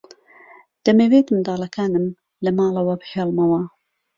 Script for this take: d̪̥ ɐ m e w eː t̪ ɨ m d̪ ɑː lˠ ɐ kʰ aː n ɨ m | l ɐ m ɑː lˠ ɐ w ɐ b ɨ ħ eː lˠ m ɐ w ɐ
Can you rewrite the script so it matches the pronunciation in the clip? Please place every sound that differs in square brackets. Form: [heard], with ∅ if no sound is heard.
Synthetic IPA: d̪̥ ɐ m e w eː t̪ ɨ m d̪ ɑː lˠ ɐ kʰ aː n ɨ m | l ɐ m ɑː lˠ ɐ w ɐ b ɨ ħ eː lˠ m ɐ w ɐ